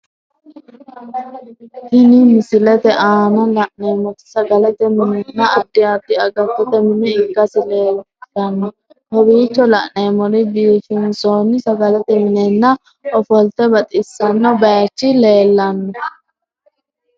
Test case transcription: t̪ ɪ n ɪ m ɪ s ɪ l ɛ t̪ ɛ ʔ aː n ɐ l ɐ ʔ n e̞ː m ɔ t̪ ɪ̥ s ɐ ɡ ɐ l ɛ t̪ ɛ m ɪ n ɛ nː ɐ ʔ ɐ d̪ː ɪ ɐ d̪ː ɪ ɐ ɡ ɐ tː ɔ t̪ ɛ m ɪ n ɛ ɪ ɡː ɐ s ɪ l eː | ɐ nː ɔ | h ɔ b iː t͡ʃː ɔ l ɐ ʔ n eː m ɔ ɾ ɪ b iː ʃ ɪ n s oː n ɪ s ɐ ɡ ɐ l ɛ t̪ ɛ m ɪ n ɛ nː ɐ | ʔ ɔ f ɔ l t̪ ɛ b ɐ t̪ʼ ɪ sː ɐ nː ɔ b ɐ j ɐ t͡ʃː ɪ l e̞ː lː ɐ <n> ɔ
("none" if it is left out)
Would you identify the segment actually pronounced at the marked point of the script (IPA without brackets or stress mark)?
nː